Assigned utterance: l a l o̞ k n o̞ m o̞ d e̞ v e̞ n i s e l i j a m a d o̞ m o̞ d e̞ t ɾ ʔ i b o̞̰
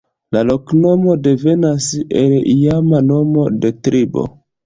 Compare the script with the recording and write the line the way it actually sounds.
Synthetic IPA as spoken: l a l o̞ k n o̞ m o̞ d e̞ v e̞ n a s e l i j a m a n o̞ m o̞ d e̞ t ɾ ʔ i b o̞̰